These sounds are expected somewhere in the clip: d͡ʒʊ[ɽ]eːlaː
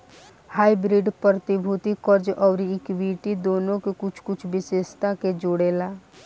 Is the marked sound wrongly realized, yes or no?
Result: no